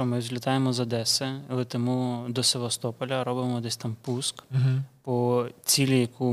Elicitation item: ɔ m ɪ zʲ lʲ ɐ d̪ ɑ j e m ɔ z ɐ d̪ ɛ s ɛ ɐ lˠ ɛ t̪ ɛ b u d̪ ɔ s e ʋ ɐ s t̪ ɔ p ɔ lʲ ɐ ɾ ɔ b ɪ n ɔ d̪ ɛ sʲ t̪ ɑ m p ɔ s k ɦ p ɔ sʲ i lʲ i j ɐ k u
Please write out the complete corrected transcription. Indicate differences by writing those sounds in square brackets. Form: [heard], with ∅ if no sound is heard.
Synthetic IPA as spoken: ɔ m ɪ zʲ lʲ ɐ [t̪] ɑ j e m ɔ z ɐ d̪ ɛ s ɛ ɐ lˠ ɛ t̪ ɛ [m] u d̪ ɔ s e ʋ ɐ s t̪ ɔ p ɔ lʲ ɐ ɾ ɔ b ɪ [m] ɔ d̪ ɛ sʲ t̪ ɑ m p [u] s k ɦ p ɔ [t͡sʲ] i lʲ i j ɐ k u